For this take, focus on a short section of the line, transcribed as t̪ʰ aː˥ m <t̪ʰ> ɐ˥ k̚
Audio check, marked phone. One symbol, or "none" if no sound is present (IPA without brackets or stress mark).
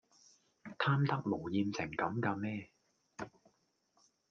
t̪